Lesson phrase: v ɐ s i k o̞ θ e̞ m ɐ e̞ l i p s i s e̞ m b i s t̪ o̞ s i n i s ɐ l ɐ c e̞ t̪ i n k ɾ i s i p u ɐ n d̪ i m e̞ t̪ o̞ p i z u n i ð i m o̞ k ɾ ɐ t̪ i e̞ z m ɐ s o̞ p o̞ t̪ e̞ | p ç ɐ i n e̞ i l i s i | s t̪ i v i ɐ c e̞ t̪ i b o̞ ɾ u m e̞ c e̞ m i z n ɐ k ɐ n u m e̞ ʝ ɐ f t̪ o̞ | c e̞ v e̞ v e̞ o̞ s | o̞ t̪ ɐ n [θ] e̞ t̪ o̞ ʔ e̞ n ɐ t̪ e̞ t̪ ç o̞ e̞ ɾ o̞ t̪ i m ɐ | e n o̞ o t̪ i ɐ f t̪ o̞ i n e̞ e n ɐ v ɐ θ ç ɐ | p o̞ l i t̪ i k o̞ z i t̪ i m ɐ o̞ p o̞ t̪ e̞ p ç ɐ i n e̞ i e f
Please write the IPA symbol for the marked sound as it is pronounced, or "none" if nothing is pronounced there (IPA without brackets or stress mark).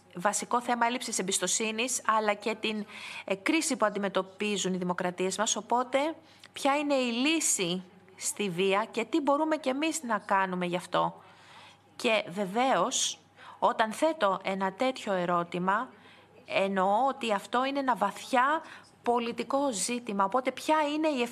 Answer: θ